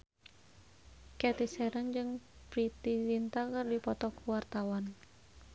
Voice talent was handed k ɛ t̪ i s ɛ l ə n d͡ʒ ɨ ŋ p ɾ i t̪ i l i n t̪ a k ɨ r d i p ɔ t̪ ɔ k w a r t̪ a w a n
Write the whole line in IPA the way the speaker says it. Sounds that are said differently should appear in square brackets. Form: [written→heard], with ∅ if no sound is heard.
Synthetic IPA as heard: k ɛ t̪ i s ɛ [l→ɾ] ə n d͡ʒ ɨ ŋ p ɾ i t̪ i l i n t̪ a k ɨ r d i p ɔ t̪ ɔ k w a r t̪ a w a n